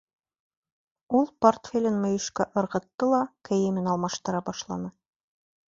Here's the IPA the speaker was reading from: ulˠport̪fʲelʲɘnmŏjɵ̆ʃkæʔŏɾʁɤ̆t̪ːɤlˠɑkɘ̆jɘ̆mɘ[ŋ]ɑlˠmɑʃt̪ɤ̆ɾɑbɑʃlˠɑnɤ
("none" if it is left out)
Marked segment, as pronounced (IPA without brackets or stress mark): n